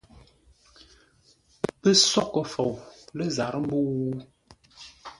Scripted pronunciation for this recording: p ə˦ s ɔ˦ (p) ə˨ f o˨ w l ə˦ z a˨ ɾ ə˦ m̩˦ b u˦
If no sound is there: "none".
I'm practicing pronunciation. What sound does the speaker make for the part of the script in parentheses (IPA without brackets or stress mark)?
k